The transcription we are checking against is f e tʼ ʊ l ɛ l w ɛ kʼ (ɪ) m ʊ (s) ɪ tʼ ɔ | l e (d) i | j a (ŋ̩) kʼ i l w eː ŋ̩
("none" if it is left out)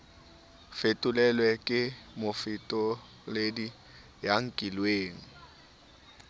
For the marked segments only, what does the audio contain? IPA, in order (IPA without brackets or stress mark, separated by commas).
ɪ, f, d, ŋ̩